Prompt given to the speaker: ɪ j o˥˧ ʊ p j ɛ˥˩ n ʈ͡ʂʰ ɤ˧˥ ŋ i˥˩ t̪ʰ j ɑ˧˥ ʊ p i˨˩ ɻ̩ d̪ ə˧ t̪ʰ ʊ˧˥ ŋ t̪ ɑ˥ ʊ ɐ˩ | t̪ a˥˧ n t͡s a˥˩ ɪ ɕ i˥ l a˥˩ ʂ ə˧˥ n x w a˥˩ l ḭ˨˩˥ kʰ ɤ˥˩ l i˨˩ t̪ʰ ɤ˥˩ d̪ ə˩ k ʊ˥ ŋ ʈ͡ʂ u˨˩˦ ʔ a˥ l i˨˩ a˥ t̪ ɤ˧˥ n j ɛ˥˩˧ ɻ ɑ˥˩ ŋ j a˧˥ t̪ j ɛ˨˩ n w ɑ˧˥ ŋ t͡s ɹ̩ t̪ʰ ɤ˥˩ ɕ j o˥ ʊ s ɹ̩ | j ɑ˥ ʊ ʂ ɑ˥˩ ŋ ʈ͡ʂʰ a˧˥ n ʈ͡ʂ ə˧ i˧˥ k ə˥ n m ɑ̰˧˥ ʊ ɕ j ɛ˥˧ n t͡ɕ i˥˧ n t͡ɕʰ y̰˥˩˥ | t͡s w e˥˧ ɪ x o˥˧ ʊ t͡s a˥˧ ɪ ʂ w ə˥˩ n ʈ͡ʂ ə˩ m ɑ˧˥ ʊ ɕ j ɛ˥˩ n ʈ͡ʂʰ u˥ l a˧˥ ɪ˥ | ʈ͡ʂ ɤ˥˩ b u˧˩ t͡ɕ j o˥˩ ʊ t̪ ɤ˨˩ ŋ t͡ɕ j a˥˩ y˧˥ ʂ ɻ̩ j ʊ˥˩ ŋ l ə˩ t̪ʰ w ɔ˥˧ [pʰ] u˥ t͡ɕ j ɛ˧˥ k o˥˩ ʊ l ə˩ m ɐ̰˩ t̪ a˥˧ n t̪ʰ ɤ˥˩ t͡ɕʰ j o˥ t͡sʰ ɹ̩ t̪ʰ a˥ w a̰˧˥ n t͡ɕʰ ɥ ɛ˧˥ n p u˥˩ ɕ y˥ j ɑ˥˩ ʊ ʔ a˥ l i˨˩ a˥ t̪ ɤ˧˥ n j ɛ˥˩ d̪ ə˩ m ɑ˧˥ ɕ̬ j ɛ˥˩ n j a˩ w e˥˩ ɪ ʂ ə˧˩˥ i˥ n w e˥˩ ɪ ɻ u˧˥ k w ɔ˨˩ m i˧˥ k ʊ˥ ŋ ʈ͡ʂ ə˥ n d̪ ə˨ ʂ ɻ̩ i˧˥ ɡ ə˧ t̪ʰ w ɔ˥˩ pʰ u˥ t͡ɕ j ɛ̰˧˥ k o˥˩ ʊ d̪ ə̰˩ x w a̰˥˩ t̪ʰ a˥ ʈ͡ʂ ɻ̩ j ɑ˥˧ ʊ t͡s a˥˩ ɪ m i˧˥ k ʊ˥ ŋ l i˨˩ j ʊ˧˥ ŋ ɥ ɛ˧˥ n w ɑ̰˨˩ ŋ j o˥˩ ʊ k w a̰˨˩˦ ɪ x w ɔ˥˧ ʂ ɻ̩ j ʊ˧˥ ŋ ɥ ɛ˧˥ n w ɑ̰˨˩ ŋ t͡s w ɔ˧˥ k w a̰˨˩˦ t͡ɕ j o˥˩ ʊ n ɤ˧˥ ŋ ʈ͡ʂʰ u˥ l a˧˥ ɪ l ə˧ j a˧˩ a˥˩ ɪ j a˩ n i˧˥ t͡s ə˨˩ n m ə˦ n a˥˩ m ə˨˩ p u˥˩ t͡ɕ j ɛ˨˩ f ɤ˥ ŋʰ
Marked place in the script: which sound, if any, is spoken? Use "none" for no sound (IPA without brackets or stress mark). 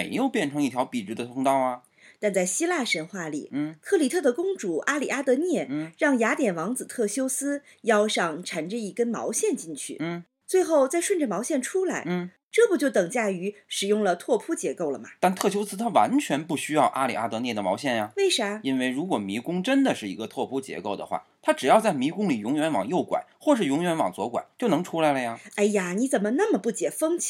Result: pʰ